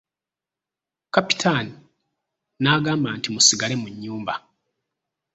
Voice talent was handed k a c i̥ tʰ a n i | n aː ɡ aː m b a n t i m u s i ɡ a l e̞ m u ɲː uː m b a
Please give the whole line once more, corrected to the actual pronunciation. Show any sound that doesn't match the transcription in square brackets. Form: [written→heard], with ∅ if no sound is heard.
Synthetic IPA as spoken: k a [c→p] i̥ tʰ a n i | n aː ɡ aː m b a n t i m u s i ɡ a l e̞ m u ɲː uː m b a